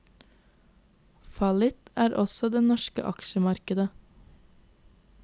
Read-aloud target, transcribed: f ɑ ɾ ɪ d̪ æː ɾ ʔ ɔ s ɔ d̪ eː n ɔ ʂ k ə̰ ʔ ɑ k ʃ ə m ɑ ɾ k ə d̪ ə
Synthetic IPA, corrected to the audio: f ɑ l ɪ t̪ æː ɾ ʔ ɔ s ɔ d̪ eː n ɔ ʃ k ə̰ ʔ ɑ k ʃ ə m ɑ ɾ k ə d̪ ə